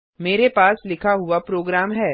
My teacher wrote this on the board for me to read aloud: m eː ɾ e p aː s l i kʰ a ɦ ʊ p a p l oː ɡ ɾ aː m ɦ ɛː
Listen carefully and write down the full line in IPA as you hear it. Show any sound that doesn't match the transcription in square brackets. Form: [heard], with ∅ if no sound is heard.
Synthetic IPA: m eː ɾ e p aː s l [ɪ] kʰ a ɦ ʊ [∅] a p [ɾ] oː ɡ ɾ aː m ɦ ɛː